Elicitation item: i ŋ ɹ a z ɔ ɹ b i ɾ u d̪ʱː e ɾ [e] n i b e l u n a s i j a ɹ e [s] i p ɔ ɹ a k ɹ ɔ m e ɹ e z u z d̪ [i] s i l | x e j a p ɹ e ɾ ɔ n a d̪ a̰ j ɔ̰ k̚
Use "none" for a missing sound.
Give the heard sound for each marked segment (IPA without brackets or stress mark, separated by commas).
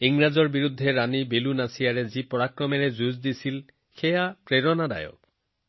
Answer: a, z, i